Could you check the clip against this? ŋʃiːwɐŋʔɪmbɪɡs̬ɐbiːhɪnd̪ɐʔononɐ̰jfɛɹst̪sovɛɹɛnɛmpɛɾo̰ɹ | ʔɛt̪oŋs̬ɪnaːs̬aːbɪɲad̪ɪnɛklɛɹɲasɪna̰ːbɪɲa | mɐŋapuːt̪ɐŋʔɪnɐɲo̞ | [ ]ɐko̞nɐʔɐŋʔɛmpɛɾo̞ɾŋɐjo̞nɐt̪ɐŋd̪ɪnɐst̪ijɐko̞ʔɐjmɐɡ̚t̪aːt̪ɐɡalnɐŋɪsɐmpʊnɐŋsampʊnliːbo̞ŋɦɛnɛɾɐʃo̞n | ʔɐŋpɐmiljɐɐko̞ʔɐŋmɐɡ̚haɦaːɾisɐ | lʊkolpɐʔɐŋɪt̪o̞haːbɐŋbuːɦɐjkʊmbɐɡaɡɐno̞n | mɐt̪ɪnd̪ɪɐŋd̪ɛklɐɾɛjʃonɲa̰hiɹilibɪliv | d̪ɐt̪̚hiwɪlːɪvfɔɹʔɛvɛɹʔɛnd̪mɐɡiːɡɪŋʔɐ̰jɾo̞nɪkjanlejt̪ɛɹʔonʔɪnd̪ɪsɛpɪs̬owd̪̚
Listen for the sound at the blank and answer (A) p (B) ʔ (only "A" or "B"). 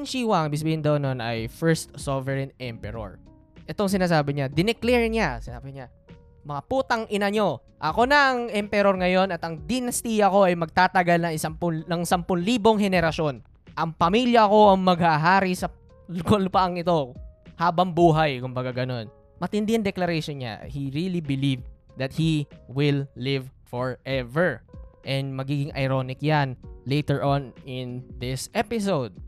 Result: B